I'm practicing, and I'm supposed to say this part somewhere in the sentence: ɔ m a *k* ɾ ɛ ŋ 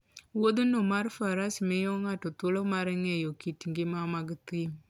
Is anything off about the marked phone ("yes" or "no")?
yes